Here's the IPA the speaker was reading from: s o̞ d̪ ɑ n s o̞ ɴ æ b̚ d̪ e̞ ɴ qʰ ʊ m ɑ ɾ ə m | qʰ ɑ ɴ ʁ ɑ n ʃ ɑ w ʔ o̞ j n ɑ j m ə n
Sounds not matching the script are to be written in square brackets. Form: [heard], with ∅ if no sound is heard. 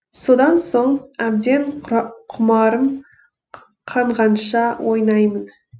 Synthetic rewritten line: s o̞ d̪ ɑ n s o̞ ɴ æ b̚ d̪ e̞ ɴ qʰ ʊ m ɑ ɾ ə m | qʰ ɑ ɴ ʁ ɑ n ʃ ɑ w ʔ o̞ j n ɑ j m ə n